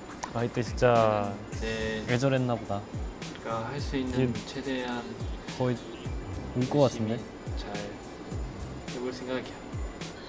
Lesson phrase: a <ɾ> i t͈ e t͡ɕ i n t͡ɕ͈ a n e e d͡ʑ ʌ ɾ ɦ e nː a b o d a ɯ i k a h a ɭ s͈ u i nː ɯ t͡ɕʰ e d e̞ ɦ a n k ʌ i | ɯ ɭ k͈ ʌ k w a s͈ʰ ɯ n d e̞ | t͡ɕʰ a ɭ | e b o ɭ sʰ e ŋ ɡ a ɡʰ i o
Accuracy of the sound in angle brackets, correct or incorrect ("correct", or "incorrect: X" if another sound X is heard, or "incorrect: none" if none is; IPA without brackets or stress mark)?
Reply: incorrect: none